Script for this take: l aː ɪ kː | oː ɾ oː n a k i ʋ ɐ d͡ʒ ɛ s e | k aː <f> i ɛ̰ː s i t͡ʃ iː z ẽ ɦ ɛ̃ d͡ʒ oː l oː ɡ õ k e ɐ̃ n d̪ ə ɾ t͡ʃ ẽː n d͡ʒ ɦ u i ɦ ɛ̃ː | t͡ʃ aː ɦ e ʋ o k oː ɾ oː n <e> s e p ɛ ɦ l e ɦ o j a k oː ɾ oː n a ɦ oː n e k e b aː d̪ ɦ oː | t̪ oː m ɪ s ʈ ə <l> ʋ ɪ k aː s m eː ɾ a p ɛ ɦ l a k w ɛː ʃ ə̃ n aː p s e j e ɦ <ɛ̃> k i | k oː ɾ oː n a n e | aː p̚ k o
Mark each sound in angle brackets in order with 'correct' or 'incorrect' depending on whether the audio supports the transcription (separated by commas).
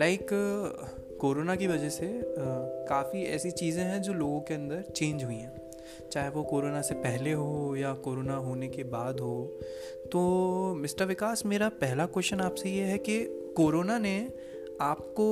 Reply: correct, incorrect, incorrect, incorrect